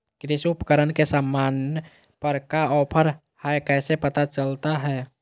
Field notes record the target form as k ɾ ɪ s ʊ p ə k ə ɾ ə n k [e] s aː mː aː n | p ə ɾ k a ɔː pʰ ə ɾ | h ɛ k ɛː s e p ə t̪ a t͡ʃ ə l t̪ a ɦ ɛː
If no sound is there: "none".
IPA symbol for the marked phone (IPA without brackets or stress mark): e